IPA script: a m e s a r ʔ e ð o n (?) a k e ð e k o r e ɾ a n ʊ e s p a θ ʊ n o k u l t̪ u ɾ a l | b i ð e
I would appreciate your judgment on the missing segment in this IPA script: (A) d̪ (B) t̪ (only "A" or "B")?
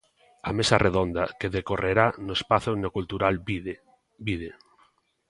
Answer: A